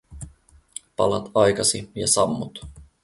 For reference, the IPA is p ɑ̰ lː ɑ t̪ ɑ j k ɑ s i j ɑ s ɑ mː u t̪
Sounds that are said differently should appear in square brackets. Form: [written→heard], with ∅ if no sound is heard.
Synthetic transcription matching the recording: p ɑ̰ [lː→l] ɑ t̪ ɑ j k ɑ s i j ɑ s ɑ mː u t̪